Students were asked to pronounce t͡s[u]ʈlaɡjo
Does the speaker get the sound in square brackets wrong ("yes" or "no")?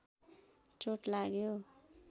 yes